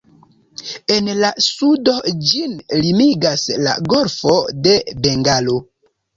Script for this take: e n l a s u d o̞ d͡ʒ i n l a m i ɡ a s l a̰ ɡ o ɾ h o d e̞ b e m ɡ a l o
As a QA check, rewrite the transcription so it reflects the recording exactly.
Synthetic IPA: e n l a s u d o̞ d͡ʒ i n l i m i ɡ a s l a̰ ɡ o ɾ f o d e̞ b e ŋ ɡ a l o